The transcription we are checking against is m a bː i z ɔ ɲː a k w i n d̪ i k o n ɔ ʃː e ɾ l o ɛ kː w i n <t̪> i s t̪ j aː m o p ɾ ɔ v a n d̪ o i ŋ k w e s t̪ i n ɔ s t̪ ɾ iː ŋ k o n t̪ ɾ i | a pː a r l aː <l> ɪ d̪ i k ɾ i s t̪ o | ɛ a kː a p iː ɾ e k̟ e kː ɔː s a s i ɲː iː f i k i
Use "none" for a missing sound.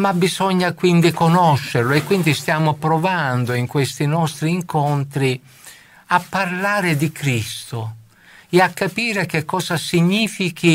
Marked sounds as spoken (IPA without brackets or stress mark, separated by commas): d̪, ɾ